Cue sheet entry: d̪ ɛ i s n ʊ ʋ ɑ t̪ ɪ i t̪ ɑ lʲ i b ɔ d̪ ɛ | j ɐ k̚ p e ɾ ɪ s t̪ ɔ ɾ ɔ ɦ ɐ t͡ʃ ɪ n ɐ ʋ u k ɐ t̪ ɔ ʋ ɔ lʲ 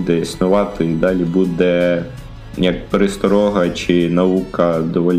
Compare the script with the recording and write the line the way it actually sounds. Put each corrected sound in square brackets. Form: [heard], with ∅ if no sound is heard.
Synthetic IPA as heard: d̪ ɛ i s n ʊ ʋ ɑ t̪ ɪ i [d̪] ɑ lʲ i b [u] d̪ ɛ | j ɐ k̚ p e ɾ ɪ s t̪ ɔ ɾ ɔ ɦ ɐ t͡ʃ ɪ n ɐ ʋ u k ɐ [d̪] ɔ ʋ ɔ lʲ